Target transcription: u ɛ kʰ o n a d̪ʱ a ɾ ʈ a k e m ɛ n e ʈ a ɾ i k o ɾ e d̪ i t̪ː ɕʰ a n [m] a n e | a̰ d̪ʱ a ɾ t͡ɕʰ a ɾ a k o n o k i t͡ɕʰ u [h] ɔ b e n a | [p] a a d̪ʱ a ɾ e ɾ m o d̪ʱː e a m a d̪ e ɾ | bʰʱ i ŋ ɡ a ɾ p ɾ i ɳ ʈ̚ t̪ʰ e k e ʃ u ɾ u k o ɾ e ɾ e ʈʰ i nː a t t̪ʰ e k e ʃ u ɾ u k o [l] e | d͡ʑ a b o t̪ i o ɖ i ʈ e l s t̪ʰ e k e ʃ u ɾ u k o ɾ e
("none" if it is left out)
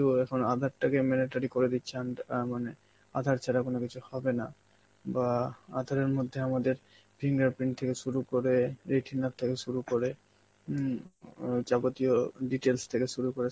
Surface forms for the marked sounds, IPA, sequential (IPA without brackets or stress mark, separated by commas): m, h, b, ɾ